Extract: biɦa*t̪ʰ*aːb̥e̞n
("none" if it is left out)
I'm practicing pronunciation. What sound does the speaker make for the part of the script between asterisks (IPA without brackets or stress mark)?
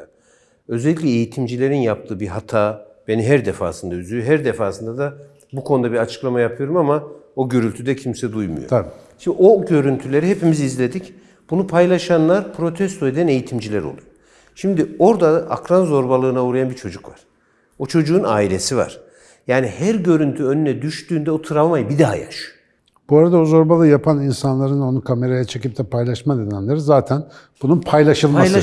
t̪ʰ